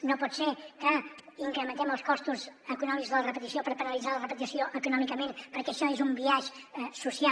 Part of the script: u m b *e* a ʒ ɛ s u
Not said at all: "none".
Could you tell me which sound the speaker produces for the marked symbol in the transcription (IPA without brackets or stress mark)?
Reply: i